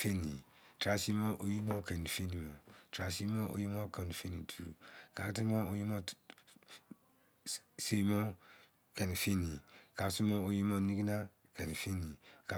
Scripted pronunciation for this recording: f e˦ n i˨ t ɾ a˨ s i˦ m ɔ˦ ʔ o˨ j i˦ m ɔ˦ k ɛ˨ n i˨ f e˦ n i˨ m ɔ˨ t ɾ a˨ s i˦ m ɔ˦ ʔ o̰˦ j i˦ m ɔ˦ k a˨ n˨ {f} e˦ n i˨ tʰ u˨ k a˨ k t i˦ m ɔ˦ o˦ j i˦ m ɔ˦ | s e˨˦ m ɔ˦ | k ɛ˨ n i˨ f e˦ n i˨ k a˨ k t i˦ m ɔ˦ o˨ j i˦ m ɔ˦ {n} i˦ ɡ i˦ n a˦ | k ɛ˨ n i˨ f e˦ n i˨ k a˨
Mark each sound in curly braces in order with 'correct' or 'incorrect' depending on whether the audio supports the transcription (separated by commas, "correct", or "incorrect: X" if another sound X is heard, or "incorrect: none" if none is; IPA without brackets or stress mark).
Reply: correct, correct